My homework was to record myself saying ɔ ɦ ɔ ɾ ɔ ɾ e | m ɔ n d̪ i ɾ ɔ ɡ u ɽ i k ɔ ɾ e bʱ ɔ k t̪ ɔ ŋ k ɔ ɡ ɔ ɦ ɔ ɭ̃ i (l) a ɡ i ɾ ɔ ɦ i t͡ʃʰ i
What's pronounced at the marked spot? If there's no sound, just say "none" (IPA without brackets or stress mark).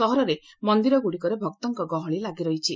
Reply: l